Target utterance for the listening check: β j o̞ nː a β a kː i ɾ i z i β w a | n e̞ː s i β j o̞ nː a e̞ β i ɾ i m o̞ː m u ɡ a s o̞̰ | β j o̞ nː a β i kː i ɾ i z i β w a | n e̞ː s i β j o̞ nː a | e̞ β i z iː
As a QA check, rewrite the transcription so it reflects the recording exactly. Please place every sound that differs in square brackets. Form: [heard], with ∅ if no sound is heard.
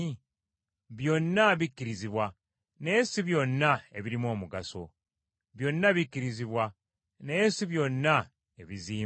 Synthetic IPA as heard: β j o̞ nː a β [i] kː i ɾ i z i β w a | n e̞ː s i β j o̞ nː a e̞ β i ɾ i m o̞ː m u ɡ a s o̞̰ | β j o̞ nː a β i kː i ɾ i z i β w a | n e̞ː s i β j o̞ nː a | e̞ β i z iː